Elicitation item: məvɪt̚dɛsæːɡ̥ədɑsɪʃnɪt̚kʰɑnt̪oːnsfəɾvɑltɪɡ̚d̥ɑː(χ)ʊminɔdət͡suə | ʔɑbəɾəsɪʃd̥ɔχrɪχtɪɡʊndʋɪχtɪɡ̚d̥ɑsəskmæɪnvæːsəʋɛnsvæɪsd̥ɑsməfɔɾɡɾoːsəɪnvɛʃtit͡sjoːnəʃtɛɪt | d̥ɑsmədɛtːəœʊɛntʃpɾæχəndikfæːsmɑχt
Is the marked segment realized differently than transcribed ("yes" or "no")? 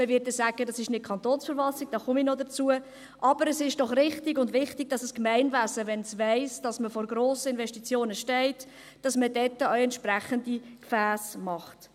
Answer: no